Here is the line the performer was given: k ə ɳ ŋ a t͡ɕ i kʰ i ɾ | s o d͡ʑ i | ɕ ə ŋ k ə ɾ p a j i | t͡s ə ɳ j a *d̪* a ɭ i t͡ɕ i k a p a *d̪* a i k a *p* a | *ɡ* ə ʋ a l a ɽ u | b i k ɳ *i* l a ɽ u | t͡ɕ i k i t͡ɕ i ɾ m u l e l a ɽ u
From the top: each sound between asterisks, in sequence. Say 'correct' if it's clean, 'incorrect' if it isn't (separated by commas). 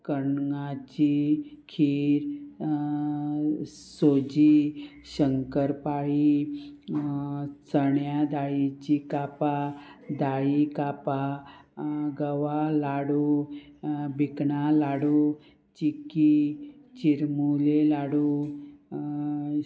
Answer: correct, correct, correct, correct, incorrect